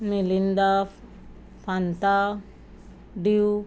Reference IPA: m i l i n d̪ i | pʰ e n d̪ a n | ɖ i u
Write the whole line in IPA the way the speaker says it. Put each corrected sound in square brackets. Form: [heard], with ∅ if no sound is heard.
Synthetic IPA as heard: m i l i n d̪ [a] | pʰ [a] n [t̪] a [∅] | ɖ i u